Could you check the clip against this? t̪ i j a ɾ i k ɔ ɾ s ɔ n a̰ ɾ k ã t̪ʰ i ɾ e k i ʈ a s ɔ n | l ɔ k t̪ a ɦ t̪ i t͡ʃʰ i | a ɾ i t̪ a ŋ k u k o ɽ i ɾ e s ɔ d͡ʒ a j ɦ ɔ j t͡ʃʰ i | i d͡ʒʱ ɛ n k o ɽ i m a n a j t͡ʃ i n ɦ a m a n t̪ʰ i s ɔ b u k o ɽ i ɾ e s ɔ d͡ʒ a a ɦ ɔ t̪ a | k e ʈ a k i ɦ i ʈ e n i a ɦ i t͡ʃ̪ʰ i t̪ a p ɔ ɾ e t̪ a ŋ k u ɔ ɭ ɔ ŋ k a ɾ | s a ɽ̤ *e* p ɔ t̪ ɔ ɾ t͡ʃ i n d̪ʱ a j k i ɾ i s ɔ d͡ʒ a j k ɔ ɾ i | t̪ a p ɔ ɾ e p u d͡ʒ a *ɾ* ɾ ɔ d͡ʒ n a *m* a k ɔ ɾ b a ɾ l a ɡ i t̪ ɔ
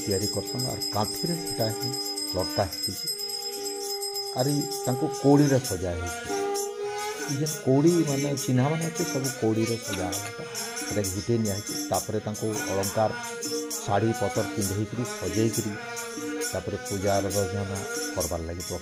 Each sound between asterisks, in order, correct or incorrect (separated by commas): incorrect, correct, incorrect